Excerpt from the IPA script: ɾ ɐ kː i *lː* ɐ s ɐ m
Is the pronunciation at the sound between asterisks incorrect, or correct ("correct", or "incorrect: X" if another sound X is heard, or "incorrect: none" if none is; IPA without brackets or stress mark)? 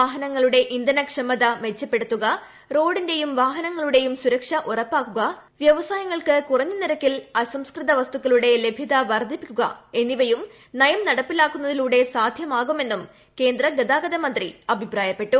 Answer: incorrect: l